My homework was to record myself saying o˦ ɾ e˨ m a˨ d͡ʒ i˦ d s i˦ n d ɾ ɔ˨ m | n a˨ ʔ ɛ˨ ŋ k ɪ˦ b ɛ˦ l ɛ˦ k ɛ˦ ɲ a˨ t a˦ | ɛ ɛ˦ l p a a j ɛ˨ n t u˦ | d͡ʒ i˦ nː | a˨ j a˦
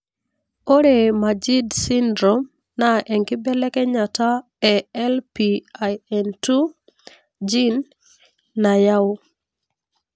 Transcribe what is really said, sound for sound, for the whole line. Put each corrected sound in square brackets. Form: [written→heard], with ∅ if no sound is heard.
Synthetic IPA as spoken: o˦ ɾ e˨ m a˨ d͡ʒ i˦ d s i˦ n d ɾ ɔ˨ m | n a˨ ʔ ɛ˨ ŋ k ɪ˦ b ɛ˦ l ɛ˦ k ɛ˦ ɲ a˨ t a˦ | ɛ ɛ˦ l p [a→i] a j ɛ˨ n t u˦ | d͡ʒ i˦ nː | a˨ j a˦